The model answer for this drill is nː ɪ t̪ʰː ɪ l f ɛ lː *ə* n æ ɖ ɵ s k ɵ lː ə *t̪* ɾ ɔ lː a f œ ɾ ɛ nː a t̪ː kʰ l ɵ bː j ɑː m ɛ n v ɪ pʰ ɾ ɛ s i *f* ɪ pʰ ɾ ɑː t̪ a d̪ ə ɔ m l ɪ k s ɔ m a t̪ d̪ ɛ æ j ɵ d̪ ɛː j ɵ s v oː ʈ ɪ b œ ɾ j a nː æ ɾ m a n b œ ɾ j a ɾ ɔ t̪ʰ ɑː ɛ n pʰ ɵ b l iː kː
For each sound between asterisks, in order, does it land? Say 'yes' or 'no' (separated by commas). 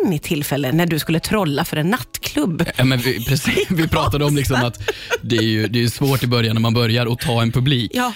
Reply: yes, no, no